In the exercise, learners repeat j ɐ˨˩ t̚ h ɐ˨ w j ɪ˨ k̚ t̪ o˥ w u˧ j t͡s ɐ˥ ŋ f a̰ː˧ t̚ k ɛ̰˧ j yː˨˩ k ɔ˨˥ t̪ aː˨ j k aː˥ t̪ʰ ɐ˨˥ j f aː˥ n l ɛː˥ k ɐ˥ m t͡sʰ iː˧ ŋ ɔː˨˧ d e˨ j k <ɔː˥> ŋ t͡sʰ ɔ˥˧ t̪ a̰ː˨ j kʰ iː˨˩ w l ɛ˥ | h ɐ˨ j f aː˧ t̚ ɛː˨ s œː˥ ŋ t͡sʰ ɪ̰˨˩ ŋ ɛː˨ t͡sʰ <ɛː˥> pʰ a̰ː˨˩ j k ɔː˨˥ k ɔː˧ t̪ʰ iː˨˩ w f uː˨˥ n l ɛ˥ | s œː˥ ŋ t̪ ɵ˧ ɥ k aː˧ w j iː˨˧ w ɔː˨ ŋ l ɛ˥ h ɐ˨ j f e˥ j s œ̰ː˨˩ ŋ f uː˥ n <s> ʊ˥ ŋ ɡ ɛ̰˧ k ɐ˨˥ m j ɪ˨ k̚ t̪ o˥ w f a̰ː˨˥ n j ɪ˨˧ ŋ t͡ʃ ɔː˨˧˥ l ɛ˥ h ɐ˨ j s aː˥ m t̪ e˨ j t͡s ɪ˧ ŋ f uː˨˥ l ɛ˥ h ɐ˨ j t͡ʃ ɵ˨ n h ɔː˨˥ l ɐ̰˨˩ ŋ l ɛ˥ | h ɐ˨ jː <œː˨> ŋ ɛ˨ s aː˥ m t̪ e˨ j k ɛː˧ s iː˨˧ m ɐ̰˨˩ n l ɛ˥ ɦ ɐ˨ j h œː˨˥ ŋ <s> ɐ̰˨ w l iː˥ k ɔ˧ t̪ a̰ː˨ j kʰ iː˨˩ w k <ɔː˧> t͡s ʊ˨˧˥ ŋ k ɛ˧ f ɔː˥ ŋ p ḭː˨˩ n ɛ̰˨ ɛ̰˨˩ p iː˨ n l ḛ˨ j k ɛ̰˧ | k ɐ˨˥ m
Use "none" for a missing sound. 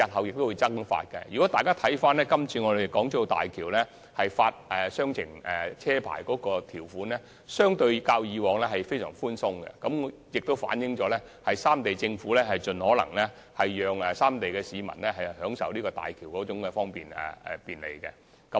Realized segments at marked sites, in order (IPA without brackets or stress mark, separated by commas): ɔː˨˥, ɛː˥, s, œː˨, s, ɔː˨˥